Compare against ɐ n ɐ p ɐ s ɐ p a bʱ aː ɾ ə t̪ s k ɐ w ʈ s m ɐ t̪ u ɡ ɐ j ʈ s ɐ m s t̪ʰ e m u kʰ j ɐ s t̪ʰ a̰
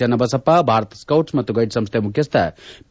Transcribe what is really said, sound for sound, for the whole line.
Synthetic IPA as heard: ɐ n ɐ b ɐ s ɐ p a bʱ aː ɾ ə t̪ s k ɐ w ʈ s m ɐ t̪ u ɡ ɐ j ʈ s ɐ m s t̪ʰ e m u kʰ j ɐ s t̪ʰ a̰

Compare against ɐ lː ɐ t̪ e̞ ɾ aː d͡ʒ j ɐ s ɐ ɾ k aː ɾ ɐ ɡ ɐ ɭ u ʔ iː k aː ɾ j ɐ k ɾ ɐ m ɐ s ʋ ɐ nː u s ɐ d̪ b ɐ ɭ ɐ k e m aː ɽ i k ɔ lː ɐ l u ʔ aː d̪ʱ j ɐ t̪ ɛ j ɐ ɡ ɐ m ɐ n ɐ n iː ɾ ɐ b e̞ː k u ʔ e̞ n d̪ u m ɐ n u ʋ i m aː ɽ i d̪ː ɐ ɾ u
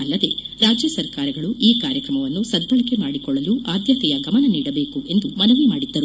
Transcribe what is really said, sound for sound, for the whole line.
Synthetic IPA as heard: ɐ lː ɐ d̪ e̞ ɾ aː d͡ʒ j ɐ s ɐ ɾ k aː ɾ ɐ ɡ ɐ ɭ u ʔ iː k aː ɾ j ɐ k ɾ ɐ m ɐ ʋ ɐ nː u s ɐ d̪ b ɐ ɭ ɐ k e m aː ɽ i k ɔ ɭː ɐ l u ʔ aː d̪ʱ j ɐ t̪ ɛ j ɐ ɡ ɐ m ɐ n ɐ n iː ɽ ɐ b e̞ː k u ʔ e̞ n d̪ u m ɐ n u ʋ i m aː ɽ i d̪ː ɐ ɾ u

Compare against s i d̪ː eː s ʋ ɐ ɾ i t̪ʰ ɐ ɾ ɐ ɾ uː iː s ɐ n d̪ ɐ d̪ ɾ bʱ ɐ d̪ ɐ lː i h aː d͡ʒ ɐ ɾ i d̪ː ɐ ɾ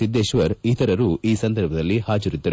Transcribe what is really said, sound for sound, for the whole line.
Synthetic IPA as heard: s i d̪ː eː ʃ ʋ ɐ ɾ i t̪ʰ ɐ ɾ ɐ ɾ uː iː s ɐ n d̪ ɐ ɾ bʱ ɐ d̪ ɐ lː i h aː d͡ʒ ɐ ɾ i d̪ː ɐ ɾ

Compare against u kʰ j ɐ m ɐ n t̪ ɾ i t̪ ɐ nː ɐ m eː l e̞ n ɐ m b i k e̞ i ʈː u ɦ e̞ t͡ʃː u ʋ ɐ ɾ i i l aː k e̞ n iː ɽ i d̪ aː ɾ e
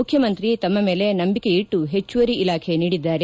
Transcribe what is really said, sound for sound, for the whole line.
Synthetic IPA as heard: u kʰ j ɐ m ɐ n t̪ ɾ i t̪ ɐ mː ɐ m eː l e̞ n ɐ m b i k e̞ i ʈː u ɦ e̞ t͡ʃː u ʋ ɐ ɾ i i l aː kʰ e̞ n iː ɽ i d̪ː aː ɾ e

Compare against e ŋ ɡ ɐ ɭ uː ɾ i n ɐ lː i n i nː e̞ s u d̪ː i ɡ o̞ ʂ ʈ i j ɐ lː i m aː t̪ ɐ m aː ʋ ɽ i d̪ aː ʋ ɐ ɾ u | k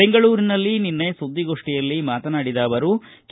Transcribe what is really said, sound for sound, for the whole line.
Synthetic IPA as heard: e ŋ ɡ ɐ ɭ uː ɾ i n ɐ lː i n i nː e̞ s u d̪ː i ɡ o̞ ʂ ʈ i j ɐ lː i m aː t̪ ɐ n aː ɽ i d̪ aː ʋ ɐ ɾ u | k

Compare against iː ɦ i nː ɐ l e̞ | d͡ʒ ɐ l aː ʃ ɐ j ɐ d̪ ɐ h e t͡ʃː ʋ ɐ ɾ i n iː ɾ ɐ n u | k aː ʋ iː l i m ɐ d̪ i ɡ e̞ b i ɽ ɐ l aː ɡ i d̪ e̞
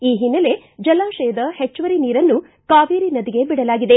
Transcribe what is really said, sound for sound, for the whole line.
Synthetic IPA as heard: iː ɦ i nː ɐ l e̞ | d͡ʒ ɐ l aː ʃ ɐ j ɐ d̪ ɐ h e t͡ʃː ʋ ɐ ɾ i n iː ɾ ɐ nː u | k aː ʋ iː ɾ i n ɐ d̪ i ɡ e̞ b i ɽ ɐ l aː ɡ i d̪ e̞

